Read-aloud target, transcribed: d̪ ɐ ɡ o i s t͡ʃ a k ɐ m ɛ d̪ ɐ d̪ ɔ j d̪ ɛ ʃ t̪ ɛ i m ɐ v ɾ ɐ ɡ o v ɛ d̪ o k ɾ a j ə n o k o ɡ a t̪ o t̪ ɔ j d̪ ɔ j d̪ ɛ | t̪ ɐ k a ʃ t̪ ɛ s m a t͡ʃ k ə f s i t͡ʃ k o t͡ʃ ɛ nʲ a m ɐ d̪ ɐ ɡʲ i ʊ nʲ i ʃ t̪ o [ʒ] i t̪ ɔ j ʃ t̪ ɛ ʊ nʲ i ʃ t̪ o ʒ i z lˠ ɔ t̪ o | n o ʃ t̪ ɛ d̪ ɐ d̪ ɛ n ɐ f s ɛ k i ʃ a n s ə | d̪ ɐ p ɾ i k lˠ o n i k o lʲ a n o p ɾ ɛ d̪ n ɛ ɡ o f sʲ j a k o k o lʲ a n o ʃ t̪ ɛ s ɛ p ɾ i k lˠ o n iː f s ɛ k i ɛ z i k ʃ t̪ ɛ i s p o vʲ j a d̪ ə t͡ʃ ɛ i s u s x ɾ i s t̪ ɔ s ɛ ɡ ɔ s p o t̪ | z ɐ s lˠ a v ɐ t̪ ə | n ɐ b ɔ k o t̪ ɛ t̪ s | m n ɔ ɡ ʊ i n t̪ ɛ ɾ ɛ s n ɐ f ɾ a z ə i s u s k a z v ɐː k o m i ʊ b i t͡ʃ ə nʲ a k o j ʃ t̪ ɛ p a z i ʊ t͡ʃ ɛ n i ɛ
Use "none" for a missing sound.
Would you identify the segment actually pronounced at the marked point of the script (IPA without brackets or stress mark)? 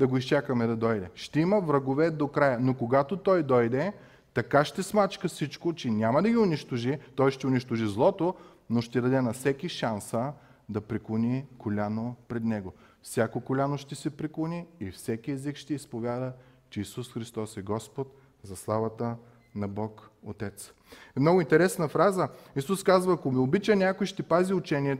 ʒ